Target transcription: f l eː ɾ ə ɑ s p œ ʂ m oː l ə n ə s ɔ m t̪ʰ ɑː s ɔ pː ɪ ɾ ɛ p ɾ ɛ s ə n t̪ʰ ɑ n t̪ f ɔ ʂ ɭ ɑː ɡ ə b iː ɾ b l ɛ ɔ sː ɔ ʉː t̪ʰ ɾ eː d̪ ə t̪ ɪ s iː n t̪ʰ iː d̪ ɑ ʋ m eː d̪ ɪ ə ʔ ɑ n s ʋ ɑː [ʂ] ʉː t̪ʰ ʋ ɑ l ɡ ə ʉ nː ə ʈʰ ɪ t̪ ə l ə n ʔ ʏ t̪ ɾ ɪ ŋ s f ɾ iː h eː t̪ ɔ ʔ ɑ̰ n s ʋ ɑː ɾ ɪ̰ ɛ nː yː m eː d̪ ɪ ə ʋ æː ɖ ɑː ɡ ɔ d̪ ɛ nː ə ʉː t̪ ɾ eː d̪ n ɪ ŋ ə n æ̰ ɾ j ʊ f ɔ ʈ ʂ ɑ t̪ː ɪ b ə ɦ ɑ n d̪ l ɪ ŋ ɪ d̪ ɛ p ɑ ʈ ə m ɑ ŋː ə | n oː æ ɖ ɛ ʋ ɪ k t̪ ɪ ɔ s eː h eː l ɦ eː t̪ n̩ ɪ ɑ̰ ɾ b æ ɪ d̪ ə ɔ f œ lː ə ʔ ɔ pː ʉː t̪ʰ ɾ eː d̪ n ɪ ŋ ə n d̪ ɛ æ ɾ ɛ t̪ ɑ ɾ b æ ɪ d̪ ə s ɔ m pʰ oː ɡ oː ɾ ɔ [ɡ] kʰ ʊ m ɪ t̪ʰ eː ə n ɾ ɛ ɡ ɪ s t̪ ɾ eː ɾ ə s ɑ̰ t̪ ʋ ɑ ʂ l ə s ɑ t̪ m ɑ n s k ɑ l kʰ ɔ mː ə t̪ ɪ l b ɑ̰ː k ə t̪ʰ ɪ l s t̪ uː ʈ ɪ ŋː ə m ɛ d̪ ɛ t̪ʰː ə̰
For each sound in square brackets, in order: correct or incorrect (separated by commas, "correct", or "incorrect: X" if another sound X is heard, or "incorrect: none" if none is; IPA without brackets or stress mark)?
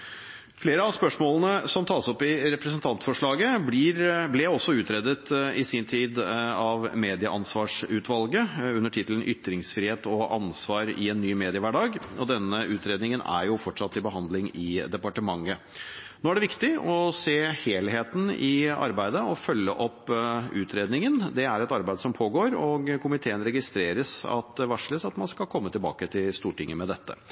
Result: correct, correct